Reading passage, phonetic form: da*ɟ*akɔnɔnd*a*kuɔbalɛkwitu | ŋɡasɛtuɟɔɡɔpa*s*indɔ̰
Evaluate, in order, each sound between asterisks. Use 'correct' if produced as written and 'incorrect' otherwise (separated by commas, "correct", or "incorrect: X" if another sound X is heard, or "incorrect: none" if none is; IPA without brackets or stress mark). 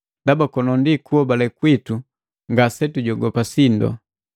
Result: incorrect: b, incorrect: i, correct